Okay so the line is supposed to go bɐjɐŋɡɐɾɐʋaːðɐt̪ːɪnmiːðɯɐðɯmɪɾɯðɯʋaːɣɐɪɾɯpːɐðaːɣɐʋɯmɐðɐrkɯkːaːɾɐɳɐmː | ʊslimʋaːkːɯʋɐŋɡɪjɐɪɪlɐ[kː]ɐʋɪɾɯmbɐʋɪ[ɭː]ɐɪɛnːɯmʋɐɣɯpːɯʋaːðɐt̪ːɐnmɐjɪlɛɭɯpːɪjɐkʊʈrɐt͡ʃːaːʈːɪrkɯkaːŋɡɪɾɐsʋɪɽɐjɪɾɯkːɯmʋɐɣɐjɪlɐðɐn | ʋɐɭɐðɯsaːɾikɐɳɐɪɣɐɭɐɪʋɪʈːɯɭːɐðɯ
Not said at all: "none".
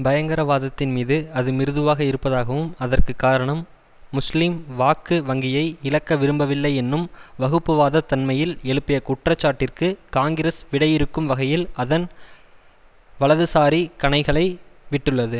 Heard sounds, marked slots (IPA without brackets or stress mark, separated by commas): kː, lː